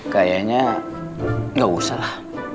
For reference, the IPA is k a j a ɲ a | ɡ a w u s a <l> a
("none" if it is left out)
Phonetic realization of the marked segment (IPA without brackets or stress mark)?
l